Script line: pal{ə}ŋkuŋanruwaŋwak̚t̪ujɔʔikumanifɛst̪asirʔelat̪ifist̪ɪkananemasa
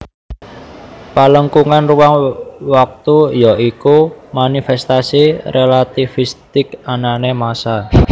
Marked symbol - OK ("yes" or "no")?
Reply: yes